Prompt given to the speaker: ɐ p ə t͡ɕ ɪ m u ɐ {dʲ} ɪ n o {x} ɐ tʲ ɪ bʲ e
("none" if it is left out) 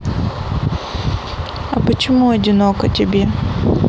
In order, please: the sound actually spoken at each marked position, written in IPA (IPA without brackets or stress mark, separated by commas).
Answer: dʲ, k